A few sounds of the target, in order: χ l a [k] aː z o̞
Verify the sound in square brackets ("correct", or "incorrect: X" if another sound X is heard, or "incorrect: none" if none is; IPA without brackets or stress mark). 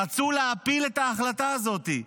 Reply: incorrect: t